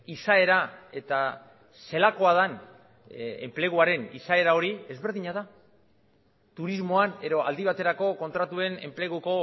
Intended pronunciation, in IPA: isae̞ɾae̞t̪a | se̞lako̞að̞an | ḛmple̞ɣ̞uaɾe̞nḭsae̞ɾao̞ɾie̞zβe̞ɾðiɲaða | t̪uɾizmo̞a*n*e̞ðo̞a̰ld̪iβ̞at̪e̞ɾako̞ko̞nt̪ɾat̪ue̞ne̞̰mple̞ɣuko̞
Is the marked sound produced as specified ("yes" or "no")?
yes